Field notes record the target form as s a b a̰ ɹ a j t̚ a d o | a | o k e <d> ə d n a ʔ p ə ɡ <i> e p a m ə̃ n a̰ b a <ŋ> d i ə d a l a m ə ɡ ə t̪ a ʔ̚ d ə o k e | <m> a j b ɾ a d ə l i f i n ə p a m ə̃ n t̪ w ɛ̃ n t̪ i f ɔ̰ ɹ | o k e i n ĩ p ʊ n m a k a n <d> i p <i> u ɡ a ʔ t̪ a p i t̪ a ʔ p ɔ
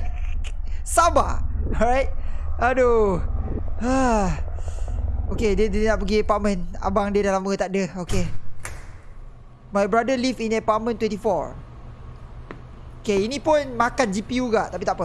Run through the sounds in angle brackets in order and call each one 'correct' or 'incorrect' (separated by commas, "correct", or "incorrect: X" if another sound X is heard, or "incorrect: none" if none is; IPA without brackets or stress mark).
correct, correct, correct, correct, incorrect: d͡ʒ, correct